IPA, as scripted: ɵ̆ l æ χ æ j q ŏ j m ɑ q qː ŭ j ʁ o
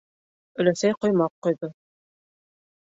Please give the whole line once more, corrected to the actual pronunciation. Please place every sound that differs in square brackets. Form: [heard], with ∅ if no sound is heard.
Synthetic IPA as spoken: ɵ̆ l æ [s] æ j q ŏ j m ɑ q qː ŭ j [ð] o